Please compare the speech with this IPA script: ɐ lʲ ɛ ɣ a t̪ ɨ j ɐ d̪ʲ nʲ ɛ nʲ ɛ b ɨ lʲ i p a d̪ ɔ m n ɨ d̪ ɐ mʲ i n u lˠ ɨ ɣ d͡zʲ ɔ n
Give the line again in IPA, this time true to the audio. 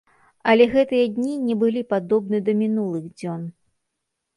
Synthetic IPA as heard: ɐ lʲ ɛ ɣ ɛ t̪ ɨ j ɐ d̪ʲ nʲ i nʲ ɛ b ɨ lʲ i p a d̪ ɔ b n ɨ d̪ ɐ mʲ i n u lˠ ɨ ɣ d͡zʲ ɔ n